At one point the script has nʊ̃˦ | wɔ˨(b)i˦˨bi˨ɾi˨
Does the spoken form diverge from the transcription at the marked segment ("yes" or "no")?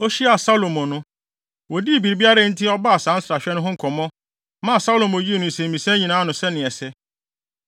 yes